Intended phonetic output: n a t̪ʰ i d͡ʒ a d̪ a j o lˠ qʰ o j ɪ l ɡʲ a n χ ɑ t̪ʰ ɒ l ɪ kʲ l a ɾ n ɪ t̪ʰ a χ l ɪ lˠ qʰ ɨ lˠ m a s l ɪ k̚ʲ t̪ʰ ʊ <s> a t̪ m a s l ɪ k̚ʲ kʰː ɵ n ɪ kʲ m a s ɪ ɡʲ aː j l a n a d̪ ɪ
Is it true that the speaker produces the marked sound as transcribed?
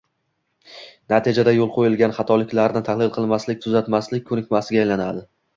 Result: no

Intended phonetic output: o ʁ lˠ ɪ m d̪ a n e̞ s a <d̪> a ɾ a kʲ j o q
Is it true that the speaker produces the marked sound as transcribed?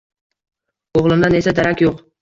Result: yes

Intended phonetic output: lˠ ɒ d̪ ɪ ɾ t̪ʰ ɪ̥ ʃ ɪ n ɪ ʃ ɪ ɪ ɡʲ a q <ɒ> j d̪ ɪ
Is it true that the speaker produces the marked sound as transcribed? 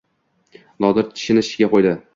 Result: no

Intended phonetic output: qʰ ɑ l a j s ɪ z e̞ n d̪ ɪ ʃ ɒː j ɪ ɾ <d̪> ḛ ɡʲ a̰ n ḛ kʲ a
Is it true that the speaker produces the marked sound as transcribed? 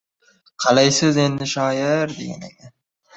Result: yes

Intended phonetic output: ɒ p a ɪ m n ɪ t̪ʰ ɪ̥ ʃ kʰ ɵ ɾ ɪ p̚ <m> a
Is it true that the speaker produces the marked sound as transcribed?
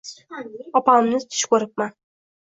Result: yes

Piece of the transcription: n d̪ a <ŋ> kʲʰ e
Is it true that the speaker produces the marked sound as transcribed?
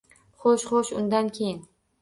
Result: no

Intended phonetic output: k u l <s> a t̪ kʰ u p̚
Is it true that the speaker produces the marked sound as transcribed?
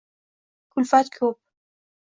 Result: no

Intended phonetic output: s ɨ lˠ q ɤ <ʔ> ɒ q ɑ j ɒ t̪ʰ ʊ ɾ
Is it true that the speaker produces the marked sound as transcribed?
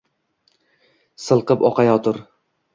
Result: no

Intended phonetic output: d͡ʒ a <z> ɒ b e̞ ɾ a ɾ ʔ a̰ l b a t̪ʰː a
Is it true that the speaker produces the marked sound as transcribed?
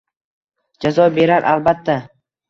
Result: yes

